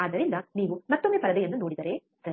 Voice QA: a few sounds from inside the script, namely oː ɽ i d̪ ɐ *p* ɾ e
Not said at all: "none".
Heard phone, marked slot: none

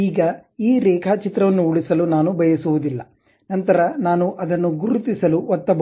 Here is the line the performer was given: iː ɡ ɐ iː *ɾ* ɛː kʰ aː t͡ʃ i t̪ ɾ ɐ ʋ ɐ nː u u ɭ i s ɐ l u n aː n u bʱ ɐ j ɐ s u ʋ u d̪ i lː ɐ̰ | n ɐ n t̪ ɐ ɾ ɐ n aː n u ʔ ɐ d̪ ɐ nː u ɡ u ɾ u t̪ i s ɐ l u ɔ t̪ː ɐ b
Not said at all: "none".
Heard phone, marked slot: ɾ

